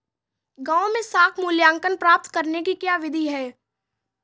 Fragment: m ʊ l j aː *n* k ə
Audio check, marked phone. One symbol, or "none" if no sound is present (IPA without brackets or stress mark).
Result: ŋ